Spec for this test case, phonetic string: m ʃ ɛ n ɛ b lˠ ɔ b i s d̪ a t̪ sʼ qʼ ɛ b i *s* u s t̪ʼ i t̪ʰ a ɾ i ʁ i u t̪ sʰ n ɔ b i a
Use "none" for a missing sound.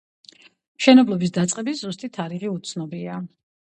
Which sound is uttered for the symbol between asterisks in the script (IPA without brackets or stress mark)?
z